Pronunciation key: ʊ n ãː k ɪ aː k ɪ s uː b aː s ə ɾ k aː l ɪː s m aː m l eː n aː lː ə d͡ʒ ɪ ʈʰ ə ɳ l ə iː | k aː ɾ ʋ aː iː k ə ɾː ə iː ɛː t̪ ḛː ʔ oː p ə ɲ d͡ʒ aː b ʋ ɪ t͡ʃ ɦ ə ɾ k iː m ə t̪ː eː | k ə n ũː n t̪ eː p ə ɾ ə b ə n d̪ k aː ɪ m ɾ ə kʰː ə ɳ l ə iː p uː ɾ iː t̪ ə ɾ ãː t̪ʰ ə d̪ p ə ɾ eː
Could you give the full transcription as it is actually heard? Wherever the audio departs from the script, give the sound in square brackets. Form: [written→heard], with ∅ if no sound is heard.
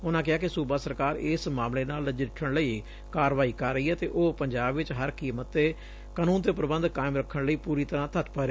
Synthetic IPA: ʊ n ãː k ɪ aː k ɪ s uː b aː s ə ɾ k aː [l→ɾ] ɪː s m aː m l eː n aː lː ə d͡ʒ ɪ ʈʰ ə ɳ l ə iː | k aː ɾ ʋ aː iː k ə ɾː ə iː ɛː t̪ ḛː ʔ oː p ə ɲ d͡ʒ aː b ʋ ɪ t͡ʃ ɦ ə ɾ k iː m ə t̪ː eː | k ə n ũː n t̪ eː p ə ɾ ə b ə n d̪ k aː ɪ m ɾ ə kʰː ə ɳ l ə iː p uː ɾ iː t̪ ə ɾ ãː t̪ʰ ə [d̪→t̪] p ə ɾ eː